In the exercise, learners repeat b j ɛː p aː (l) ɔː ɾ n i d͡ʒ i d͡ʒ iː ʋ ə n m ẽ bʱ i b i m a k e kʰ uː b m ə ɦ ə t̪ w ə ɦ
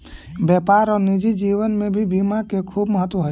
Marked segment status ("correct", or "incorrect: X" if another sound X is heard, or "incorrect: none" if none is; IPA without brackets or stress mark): incorrect: ɾ